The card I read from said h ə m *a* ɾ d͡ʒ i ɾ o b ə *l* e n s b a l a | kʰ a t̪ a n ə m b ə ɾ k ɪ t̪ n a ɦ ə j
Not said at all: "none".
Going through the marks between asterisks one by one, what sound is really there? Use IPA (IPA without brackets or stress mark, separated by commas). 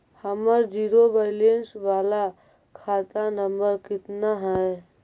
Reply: ə, l